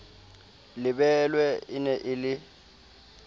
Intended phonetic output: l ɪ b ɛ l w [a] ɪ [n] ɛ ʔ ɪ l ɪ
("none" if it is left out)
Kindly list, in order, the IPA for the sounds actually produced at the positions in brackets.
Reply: ɛ, n

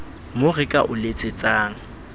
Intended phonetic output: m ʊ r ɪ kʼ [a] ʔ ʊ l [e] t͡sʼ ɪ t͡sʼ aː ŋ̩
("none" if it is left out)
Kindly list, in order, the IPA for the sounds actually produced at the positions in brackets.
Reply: a, e

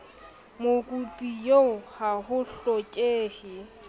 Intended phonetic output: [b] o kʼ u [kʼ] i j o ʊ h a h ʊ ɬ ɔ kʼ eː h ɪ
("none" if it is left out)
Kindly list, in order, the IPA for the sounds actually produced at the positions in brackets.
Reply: m, pʼ

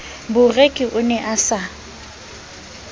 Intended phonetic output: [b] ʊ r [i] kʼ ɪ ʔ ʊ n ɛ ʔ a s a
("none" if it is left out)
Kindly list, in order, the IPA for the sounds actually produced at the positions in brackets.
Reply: b, e

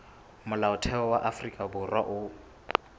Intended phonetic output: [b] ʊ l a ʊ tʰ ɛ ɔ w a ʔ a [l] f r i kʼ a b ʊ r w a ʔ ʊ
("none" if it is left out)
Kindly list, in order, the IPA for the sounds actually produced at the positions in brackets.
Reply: m, none

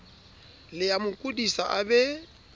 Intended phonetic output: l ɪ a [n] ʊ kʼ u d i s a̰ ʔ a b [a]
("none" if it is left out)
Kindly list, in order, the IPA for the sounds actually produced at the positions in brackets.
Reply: m, ɛ

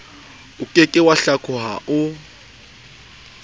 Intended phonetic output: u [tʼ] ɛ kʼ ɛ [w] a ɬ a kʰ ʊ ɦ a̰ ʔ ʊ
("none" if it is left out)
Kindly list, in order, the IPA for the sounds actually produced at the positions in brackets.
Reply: kʼ, w

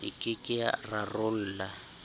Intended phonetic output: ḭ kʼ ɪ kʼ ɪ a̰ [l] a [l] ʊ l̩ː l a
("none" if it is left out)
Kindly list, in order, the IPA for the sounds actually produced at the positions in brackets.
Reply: r, r

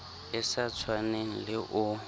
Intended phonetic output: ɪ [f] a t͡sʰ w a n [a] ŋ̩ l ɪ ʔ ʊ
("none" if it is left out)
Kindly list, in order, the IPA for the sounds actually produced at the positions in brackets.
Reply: s, e

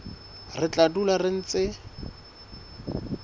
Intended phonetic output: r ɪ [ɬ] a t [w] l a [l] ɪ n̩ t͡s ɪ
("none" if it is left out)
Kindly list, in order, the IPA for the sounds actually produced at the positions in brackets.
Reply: t͡ɬ, u, r

